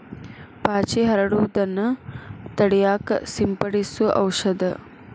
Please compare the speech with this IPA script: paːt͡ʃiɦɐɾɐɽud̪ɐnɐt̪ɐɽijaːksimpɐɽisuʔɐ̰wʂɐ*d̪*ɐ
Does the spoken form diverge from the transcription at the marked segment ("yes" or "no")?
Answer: no